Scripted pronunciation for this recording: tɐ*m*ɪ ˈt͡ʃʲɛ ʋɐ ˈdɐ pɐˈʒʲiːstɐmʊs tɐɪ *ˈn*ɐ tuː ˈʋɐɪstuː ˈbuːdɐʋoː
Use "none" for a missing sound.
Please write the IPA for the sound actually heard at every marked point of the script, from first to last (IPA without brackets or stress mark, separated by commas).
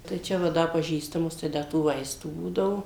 none, d